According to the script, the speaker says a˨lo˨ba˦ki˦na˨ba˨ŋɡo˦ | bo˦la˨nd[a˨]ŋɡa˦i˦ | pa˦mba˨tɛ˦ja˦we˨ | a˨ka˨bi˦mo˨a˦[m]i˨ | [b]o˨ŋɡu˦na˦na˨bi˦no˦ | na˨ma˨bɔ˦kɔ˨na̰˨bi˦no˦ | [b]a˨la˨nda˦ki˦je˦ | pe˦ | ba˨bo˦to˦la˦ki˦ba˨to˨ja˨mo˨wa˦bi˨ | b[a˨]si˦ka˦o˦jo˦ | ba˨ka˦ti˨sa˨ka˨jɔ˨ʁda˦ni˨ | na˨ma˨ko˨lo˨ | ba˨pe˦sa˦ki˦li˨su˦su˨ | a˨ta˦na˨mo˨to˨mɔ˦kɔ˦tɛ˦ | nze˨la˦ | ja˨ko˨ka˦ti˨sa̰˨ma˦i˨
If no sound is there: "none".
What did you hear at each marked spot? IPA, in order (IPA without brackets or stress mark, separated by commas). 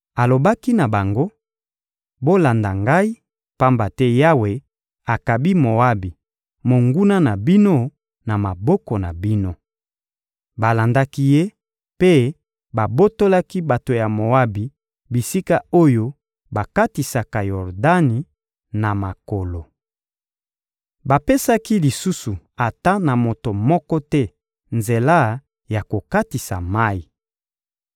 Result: a˨, b, m, b, i˨